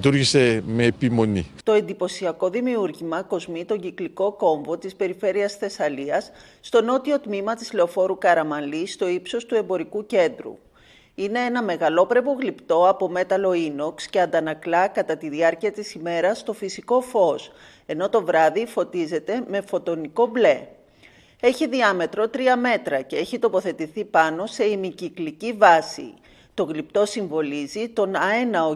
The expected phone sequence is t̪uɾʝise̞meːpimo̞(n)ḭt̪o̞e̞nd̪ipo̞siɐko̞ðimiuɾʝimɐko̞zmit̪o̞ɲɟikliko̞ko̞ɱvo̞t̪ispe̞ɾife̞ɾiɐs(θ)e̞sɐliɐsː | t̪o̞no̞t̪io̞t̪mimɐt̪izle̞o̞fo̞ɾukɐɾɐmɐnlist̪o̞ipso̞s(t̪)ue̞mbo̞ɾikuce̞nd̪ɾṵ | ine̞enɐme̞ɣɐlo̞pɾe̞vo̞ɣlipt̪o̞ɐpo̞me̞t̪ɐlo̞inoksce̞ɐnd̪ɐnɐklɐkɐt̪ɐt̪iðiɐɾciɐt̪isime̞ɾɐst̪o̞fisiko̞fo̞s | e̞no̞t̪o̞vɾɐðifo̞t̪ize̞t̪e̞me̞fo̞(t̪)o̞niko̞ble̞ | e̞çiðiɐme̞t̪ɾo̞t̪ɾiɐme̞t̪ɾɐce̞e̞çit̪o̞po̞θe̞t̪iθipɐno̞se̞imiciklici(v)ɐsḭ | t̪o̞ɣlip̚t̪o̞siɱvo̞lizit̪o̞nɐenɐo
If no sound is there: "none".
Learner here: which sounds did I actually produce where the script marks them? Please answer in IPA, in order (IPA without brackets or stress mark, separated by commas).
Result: n, θ, t̪, t̪, v